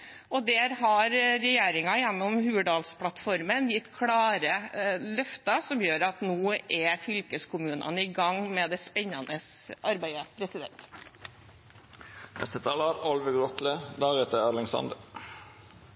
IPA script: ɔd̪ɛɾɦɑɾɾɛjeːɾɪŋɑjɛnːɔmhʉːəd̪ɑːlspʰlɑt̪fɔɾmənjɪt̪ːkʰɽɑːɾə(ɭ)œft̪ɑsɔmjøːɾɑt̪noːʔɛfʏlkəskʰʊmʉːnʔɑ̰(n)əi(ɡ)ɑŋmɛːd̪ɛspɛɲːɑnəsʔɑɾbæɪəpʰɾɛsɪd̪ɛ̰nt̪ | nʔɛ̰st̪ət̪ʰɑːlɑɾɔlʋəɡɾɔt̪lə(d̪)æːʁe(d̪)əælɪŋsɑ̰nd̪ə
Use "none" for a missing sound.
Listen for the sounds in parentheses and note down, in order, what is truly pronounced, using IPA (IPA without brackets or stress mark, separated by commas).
l, n, ɡ, d̪, t̪